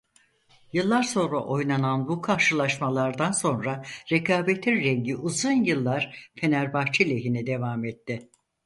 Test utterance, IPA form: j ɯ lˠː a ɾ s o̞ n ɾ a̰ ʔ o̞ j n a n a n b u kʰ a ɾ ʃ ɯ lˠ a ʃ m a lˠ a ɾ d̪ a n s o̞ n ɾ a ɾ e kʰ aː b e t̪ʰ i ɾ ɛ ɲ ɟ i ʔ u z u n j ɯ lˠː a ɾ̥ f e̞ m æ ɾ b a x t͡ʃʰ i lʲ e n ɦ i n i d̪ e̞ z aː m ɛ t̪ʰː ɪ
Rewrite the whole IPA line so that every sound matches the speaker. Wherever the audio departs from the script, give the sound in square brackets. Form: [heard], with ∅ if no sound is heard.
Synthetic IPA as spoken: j ɯ lˠː a ɾ s o̞ n ɾ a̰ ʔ o̞ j n a n a n b u kʰ a ɾ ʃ ɯ lˠ a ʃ m a lˠ a ɾ d̪ a n s o̞ n ɾ a ɾ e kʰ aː b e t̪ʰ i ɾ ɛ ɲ ɟ i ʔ u z u n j ɯ lˠː a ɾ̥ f e̞ [n] æ ɾ b a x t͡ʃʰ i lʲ e [∅] ɦ i n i d̪ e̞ [v] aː m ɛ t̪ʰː ɪ

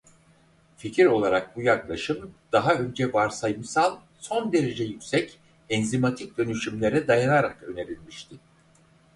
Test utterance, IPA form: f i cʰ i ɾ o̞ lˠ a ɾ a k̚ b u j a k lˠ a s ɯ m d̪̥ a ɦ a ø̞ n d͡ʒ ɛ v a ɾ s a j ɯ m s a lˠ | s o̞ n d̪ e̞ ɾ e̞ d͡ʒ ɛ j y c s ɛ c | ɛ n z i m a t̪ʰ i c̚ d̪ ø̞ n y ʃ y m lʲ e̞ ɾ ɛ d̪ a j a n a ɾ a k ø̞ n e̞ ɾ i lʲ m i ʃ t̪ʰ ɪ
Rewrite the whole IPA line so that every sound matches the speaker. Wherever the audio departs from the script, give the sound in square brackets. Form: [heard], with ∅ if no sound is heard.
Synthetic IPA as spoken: f i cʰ i ɾ o̞ lˠ a ɾ a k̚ b u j a k lˠ a [ʃ] ɯ m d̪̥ a ɦ a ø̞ n d͡ʒ ɛ v a ɾ s a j ɯ m s a lˠ | s o̞ n d̪ e̞ ɾ e̞ d͡ʒ ɛ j y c s ɛ c | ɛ n z i m a t̪ʰ i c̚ d̪ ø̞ n y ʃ y m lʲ e̞ ɾ ɛ d̪ a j a n a ɾ a k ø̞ n e̞ ɾ i lʲ m i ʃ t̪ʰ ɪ

